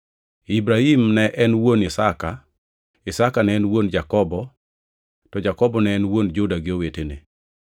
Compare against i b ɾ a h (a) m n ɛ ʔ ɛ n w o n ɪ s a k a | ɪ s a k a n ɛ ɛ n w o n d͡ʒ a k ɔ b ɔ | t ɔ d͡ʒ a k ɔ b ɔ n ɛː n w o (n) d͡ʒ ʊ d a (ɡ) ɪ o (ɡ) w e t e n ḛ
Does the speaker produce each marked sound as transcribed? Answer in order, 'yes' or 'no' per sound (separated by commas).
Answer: no, yes, yes, no